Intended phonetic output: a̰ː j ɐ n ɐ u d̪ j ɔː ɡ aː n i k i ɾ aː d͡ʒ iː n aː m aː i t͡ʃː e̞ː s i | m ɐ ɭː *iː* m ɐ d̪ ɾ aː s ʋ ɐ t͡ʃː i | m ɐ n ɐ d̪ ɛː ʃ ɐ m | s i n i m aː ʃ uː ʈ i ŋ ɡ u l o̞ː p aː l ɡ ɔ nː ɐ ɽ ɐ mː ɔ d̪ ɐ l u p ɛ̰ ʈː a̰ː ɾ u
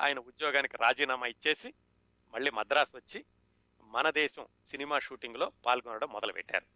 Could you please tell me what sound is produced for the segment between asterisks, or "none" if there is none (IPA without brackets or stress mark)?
iː